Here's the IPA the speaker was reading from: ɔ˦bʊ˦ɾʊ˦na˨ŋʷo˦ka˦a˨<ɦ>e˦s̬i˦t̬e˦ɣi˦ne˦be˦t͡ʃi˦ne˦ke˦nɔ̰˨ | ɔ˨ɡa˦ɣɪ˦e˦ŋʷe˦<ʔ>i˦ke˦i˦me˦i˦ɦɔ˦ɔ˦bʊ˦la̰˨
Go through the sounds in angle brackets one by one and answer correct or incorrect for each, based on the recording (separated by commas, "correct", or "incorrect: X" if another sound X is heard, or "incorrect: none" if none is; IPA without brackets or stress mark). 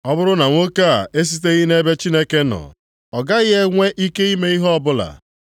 incorrect: none, correct